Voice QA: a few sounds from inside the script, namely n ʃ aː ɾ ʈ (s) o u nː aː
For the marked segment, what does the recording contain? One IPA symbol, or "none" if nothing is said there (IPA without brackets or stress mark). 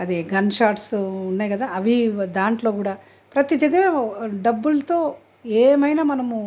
s